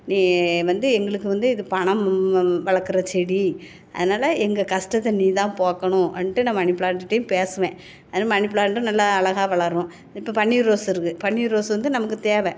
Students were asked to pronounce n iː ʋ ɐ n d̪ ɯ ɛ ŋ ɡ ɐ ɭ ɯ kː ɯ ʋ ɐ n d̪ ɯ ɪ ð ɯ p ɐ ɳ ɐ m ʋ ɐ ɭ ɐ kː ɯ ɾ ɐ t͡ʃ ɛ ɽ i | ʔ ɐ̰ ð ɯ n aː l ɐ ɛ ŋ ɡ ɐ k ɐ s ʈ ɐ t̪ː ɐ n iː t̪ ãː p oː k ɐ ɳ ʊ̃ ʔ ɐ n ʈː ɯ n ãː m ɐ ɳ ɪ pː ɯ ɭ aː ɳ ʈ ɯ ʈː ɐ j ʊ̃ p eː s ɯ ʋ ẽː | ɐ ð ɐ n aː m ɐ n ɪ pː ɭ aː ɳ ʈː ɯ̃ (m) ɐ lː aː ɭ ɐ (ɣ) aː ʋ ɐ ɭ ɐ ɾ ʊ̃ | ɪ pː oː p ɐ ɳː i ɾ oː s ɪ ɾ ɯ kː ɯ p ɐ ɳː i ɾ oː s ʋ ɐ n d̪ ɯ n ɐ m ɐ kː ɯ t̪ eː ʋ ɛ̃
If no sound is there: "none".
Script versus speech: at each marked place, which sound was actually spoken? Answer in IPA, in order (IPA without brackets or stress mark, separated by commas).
n, ɣ